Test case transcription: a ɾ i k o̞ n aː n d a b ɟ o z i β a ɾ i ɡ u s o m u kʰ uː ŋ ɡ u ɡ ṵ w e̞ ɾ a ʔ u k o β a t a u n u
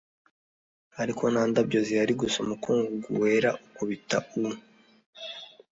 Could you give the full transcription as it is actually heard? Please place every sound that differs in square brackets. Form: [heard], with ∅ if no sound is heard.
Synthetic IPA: a ɾ i k o̞ n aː n d a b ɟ o z i [∅] a ɾ i ɡ u s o m u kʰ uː ŋ ɡ u ɡ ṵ w e̞ ɾ a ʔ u k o β [i] t a u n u